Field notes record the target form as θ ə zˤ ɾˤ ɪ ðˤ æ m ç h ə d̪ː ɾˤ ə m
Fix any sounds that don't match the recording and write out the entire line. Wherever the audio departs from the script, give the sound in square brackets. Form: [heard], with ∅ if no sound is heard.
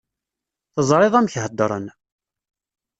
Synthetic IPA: θ ə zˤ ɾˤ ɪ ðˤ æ m ç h ə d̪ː ɾˤ ə [n]